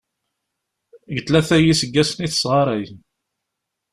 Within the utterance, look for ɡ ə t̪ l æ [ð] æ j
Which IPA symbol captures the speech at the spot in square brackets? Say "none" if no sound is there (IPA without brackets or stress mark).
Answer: θ